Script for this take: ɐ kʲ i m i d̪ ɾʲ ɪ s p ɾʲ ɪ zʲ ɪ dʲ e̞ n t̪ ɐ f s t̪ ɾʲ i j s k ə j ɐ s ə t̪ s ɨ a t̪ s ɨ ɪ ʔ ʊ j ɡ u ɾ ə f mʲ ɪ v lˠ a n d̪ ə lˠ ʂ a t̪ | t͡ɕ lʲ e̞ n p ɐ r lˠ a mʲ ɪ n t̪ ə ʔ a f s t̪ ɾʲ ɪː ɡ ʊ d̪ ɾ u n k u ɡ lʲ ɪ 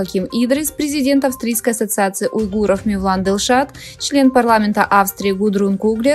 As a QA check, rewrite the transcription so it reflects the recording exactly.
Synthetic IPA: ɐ kʲ i m i d̪ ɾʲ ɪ s p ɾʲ ɪ zʲ ɪ dʲ e̞ n t̪ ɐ f s t̪ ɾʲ i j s k ə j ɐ s ə t̪ s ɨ a t̪ s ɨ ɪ ʔ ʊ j ɡ u ɾ ə f mʲ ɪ v lˠ a n d̪ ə lˠ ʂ a t̪ | t͡ɕ lʲ e̞ n p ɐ r lˠ a mʲ ɪ n t̪ ə ʔ a f s t̪ ɾʲ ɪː ɡ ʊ d̪ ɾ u n k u ɡ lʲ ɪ